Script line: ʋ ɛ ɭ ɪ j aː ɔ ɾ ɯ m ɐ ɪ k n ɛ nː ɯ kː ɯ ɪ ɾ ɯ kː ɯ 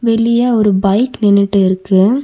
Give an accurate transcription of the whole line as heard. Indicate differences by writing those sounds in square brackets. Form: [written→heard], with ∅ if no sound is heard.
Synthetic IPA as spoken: ʋ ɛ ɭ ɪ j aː ɔ ɾ ɯ [m→b] ɐ ɪ k n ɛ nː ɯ [kː→ʈː] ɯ ɪ ɾ ɯ kː ɯ